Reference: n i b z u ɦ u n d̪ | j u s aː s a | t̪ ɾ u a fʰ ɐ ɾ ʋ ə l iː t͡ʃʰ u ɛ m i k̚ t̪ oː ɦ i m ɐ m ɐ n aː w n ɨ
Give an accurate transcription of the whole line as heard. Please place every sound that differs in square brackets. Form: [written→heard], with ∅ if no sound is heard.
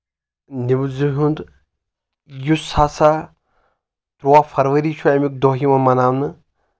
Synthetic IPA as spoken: n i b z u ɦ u n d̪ | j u s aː s a | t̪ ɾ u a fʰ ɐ ɾ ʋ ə [l→ɾ] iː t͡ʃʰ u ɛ m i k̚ [t̪→d̪] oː ɦ i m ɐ m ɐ n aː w n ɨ